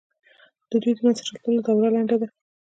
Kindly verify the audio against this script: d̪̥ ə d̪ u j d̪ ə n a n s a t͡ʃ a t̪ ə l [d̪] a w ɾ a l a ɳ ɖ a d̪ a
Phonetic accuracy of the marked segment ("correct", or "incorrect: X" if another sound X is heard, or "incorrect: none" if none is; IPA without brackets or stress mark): correct